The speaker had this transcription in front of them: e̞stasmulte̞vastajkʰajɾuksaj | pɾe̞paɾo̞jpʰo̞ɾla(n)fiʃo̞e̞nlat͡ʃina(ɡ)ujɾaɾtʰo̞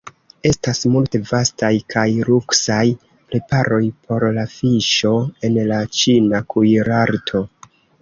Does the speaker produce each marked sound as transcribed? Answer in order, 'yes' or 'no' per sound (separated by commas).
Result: no, no